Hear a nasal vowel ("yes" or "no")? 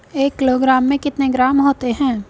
yes